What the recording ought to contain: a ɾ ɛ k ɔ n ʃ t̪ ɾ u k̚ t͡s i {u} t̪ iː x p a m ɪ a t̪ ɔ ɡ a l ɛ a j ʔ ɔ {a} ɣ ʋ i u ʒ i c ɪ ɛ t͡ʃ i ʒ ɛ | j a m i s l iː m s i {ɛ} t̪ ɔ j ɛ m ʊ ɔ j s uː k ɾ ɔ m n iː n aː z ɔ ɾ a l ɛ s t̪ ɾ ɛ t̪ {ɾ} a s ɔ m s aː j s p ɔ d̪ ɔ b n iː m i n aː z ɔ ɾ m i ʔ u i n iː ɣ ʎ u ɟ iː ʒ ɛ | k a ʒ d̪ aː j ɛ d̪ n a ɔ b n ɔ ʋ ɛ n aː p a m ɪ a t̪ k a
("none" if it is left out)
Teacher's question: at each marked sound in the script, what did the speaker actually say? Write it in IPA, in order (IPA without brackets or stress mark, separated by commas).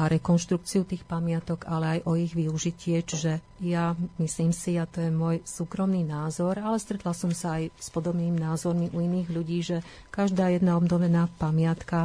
u, i, a, l